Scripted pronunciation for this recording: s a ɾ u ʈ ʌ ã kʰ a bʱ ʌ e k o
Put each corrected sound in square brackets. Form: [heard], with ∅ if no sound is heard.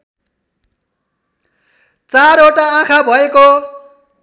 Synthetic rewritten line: [t͡s] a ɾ [o] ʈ [a] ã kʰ a bʱ ʌ e k o

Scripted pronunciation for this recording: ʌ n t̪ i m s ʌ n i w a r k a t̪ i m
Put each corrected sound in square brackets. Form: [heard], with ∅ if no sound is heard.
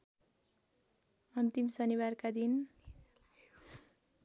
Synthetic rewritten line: ʌ n t̪ i m s ʌ n i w a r k a [d̪] i [n]

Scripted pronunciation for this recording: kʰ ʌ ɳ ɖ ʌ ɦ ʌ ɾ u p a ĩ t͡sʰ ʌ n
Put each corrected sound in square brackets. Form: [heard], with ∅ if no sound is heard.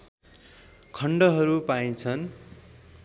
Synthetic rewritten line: kʰ ʌ ɳ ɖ ʌ ɦ ʌ ɾ u p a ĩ t͡sʰ ʌ n

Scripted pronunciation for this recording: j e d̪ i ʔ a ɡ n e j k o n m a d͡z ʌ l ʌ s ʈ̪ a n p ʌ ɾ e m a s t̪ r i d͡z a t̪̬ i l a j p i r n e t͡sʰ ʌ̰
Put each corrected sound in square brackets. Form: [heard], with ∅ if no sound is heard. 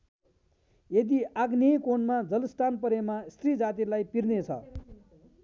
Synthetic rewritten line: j e d̪ i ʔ a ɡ n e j k o n m a d͡z ʌ l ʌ s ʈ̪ a n p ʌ ɾ e m a s t̪ r i d͡z a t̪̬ i l a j p i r n e t͡sʰ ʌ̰

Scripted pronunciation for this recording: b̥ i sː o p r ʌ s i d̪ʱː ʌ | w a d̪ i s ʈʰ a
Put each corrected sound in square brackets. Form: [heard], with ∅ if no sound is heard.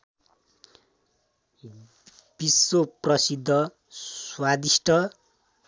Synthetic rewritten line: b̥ i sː o p r ʌ s i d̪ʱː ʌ | w a d̪ i s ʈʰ [ʌ]

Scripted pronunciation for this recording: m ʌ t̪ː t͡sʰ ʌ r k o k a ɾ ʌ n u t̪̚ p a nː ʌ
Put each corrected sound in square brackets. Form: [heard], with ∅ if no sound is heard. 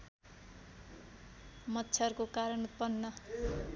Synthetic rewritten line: m ʌ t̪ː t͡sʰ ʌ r k o k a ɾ ʌ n u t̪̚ p [ʌ] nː ʌ

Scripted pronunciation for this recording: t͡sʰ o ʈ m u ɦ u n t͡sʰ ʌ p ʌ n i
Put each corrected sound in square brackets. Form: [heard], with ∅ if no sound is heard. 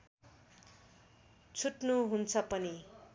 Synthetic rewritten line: t͡sʰ [u] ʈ [n] u ɦ u n t͡sʰ ʌ p ʌ n i

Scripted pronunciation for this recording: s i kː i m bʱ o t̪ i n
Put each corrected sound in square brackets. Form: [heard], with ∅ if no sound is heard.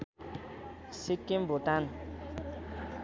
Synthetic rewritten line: s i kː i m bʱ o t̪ [a] n

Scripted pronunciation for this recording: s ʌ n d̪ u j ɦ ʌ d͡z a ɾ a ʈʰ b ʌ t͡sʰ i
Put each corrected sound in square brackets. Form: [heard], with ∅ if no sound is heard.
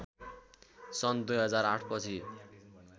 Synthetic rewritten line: s ʌ n d̪ u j ɦ ʌ d͡z a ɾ a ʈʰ [p] ʌ t͡sʰ i

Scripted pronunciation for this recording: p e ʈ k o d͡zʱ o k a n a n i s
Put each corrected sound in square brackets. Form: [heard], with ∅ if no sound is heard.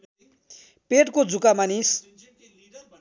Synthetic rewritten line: p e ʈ k o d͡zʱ [u] k a [m] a n i s

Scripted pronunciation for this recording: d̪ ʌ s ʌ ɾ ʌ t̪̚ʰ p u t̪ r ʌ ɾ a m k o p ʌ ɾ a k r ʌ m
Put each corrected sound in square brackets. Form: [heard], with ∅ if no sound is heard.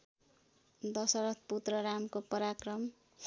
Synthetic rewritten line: d̪ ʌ s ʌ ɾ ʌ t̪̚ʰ p u t̪ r ʌ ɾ a m k o p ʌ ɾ a k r ʌ m

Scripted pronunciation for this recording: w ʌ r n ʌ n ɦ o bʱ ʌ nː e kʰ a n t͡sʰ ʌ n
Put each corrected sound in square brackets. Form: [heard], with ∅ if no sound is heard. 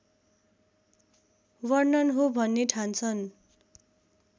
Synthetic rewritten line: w ʌ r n ʌ n ɦ o bʱ ʌ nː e [ʈʰ] a n t͡sʰ ʌ n

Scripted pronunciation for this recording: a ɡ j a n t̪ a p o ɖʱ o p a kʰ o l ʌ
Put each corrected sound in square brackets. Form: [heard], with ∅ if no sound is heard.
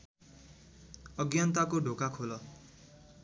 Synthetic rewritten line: [ʌ] ɡ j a n t̪ a [k] o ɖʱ o [k] a kʰ o l ʌ

